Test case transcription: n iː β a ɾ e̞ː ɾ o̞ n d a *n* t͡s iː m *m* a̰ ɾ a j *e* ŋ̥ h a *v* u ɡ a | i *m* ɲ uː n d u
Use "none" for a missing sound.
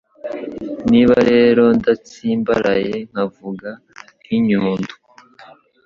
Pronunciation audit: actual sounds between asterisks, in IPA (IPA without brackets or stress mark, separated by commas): none, b, e, v, none